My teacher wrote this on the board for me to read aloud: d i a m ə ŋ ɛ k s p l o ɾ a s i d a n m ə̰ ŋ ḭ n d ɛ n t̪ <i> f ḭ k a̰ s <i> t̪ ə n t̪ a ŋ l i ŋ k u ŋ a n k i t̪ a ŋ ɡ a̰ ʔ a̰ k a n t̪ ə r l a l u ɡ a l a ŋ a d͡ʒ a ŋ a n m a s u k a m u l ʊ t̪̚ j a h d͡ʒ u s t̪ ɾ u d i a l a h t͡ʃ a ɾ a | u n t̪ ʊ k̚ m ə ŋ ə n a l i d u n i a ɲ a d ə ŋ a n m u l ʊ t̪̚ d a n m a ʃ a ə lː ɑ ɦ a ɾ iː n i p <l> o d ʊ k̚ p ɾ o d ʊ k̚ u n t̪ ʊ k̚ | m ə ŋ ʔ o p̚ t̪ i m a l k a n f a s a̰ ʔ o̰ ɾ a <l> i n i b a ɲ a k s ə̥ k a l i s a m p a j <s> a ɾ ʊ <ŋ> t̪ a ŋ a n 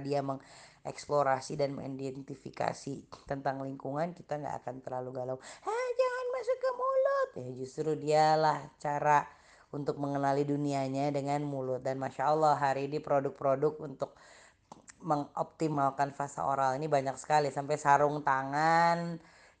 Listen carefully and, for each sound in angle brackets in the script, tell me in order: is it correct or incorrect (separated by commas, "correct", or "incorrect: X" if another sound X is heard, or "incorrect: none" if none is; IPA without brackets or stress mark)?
correct, correct, incorrect: ɾ, correct, correct, correct